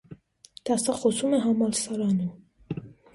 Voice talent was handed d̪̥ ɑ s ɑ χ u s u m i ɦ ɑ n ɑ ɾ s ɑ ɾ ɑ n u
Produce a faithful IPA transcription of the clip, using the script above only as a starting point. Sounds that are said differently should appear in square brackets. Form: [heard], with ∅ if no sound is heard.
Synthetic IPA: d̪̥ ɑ s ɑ χ [ɔ] s u m [ɛ] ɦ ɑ [m] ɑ [l] s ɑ ɾ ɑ n u